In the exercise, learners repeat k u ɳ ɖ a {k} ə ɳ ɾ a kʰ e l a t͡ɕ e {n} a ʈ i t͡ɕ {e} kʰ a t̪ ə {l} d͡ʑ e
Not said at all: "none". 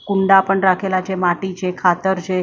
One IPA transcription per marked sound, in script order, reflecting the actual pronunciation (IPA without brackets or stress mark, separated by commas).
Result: p, m, e, ɾ